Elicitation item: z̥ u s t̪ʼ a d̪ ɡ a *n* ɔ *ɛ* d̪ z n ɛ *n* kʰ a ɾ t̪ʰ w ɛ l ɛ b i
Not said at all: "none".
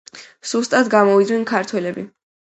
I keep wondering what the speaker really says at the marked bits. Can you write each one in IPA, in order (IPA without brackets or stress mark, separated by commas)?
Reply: m, i, n